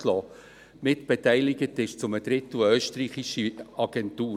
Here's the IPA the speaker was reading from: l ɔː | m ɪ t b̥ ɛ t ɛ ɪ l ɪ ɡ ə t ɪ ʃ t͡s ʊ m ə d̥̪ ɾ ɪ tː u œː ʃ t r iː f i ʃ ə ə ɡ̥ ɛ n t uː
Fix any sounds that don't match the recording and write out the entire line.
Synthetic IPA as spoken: l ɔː | m ɪ t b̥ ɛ t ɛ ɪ l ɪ ɡ ə t ɪ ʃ t͡s ʊ m ə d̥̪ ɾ ɪ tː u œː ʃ t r iː χ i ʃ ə ɑ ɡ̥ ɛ n t uː